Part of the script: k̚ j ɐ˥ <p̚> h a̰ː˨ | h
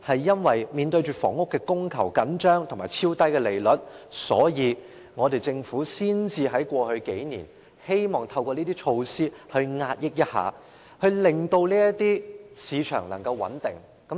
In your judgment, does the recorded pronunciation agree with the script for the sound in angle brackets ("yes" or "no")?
no